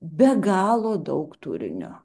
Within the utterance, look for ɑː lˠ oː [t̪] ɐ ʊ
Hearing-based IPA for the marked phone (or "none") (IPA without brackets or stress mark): d̪